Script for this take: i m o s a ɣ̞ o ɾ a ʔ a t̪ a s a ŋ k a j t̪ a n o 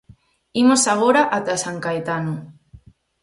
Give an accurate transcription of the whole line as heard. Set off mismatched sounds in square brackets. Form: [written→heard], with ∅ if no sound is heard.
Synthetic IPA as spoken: i m o s a ɣ̞ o ɾ a ʔ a t̪ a s a ŋ k a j t̪ a n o